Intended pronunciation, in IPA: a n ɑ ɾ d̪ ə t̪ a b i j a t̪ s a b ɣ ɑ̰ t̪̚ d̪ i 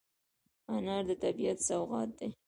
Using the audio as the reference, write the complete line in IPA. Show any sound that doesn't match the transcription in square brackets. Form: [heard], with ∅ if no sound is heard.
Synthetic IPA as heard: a n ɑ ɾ d̪ ə t̪ a b i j a t̪ s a [w] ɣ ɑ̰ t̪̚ d̪ [e]